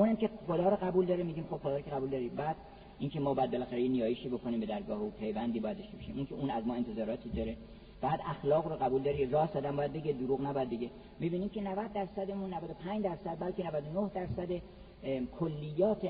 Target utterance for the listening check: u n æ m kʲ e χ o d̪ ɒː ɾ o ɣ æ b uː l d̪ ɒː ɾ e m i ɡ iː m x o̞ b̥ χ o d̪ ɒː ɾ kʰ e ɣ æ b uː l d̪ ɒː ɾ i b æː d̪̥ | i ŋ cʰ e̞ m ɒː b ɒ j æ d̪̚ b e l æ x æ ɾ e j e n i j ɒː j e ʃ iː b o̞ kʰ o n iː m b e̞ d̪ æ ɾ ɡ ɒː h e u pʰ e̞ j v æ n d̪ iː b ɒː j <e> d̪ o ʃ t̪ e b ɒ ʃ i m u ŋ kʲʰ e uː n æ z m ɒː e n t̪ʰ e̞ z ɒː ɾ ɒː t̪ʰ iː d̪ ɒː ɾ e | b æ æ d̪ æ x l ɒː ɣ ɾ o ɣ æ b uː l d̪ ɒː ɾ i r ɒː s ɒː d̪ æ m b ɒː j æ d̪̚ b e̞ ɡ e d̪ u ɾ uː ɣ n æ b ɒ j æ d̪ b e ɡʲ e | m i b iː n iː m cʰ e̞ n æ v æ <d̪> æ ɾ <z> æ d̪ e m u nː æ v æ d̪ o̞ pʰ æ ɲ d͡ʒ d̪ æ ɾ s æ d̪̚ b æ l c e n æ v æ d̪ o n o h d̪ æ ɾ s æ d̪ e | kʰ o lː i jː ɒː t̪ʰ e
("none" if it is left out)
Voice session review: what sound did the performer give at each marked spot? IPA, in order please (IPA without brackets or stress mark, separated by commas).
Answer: æ, d̪ː, s